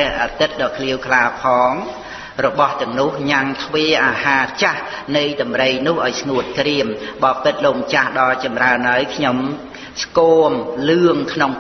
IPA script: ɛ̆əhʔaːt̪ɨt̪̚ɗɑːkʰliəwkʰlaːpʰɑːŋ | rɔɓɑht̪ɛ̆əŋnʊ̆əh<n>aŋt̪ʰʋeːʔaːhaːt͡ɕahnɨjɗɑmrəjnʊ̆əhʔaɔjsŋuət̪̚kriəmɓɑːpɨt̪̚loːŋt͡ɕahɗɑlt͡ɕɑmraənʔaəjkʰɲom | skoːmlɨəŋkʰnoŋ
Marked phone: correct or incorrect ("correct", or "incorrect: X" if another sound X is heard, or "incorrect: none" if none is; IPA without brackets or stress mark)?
incorrect: ɲ